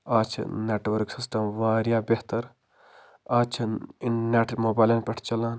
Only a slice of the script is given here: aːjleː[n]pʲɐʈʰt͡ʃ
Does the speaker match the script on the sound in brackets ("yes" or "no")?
yes